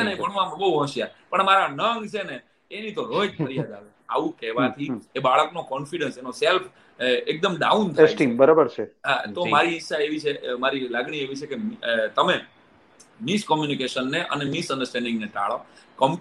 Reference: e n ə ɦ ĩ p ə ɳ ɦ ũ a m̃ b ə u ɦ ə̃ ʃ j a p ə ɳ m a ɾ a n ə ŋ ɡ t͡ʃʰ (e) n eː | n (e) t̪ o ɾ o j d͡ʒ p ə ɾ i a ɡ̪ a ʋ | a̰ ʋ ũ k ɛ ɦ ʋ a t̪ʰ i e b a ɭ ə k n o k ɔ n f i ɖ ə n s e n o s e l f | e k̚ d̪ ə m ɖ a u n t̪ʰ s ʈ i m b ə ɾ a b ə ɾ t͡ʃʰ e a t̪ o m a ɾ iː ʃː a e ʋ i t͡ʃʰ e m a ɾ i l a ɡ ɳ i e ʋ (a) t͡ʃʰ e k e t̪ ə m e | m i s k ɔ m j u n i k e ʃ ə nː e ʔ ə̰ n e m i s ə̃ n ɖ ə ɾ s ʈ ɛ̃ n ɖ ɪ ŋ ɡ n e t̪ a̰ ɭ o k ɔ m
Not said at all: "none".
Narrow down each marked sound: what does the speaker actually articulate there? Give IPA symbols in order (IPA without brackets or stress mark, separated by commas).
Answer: e, i, i